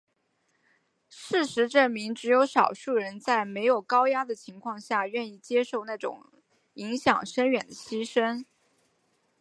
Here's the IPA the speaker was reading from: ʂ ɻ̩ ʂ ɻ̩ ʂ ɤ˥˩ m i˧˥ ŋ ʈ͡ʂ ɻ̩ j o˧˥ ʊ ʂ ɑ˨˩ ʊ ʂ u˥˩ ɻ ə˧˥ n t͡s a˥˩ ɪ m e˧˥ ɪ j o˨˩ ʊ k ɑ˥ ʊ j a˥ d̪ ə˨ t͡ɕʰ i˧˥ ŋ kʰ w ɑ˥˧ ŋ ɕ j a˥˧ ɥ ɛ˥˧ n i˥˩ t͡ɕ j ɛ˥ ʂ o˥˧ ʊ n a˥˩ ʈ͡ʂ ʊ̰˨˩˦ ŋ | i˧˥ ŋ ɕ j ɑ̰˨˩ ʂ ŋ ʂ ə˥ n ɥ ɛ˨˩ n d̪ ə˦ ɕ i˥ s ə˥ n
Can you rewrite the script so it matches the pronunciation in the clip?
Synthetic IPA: ʂ ɻ̩ ʂ ɻ̩ ʈ͡ʂ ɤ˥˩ m i˧˥ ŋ ʈ͡ʂ ɻ̩ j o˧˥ ʊ ʂ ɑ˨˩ ʊ ʂ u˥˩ ɻ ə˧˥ n t͡s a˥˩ ɪ m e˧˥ ɪ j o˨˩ ʊ k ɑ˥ ʊ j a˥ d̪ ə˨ t͡ɕʰ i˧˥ ŋ kʰ w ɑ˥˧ ŋ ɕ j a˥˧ ɥ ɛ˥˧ n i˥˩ t͡ɕ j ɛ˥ ʂ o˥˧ ʊ n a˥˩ ʈ͡ʂ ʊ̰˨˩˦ ŋ | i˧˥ ŋ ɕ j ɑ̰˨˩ ŋ ʂ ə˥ n ɥ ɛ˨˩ n d̪ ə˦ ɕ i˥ ʂ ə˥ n